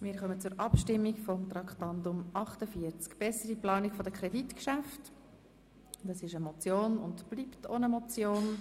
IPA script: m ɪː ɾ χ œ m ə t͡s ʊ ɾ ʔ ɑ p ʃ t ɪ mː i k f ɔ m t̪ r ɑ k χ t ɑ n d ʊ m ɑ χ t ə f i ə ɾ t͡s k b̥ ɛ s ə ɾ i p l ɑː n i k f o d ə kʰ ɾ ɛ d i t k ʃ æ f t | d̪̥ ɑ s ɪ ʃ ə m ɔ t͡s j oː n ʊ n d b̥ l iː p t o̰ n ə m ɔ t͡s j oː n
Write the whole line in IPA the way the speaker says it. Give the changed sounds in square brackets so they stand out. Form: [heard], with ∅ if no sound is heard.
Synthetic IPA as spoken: m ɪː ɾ χ œ m ə t͡s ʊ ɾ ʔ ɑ p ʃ t ɪ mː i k f ɔ m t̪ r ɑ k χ t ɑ n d ʊ m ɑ χ t ə f i ə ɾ t͡s k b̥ ɛ s ə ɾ i p l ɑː n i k f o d ə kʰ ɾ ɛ d i t k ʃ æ f t | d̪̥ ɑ s ɪ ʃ ə m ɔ t͡s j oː n ʊ n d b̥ l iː p t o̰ n ə m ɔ t͡s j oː n